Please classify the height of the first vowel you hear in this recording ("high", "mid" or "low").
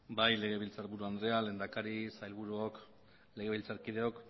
low